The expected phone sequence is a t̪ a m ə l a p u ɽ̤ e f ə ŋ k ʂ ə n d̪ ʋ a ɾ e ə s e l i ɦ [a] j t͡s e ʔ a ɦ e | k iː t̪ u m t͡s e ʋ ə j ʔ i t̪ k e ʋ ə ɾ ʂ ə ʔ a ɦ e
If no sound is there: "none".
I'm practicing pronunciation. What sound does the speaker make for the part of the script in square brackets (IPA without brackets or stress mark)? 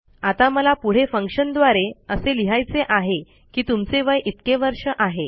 a